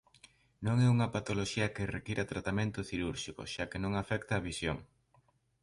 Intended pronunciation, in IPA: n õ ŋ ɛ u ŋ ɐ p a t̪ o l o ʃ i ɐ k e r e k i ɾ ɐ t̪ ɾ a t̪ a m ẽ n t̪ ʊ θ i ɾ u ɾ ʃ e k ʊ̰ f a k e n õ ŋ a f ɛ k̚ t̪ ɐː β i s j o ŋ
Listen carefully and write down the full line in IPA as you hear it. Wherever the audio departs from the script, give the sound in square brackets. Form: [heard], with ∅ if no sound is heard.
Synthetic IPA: n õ ŋ ɛ u ŋ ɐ p a t̪ o l o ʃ i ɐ k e r e k i ɾ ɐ t̪ ɾ a t̪ a m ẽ n t̪ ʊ θ i ɾ u ɾ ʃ [i] k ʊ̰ [ʃ] a k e n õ ŋ a f ɛ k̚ t̪ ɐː β i s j o ŋ